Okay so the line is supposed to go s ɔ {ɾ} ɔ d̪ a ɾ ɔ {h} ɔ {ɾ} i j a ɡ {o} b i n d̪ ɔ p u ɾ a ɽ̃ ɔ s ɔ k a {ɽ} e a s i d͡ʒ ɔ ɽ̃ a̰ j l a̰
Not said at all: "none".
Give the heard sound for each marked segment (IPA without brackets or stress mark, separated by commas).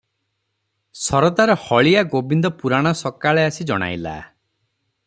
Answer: ɾ, h, ɭ, o, ɭ